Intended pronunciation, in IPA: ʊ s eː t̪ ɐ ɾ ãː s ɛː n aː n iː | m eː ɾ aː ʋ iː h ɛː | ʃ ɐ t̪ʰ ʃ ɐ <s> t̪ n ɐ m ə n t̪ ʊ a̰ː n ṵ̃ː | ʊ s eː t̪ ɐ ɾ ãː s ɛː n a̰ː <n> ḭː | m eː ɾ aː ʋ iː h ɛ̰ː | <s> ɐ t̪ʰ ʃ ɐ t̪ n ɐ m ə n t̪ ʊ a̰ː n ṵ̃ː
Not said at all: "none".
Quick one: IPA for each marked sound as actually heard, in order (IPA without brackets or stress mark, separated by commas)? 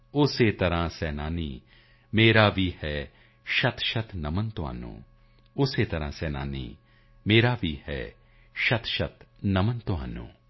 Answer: none, n, ʃ